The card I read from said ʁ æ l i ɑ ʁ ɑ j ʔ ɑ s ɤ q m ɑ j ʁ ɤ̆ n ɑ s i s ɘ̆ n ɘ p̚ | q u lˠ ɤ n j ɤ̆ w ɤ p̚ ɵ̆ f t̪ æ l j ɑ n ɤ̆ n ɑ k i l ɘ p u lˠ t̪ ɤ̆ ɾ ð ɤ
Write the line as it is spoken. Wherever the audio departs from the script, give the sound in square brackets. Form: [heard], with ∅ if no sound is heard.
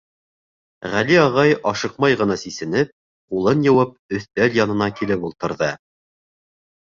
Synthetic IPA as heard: ʁ æ l i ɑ ʁ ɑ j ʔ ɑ [ʃ] ɤ q m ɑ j ʁ ɤ̆ n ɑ s i s ɘ̆ n ɘ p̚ | q u lˠ ɤ n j ɤ̆ w ɤ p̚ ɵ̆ [θ] t̪ æ l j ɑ n ɤ̆ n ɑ k i l ɘ p u lˠ t̪ ɤ̆ ɾ ð ɤ